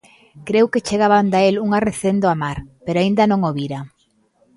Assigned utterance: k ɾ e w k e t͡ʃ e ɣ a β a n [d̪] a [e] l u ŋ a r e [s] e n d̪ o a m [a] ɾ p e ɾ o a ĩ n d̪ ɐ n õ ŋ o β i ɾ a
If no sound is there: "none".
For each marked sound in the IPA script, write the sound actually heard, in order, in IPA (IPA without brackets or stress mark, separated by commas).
d̪, e, θ, a